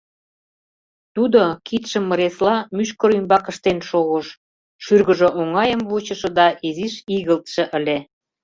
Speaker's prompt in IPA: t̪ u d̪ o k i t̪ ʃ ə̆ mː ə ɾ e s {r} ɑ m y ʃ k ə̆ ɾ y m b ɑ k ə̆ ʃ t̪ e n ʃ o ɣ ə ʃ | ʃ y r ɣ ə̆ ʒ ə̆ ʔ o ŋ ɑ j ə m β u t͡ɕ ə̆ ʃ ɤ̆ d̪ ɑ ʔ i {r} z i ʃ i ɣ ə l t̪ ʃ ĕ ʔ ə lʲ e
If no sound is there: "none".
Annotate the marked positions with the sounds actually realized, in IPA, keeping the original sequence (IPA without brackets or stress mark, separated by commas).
l, none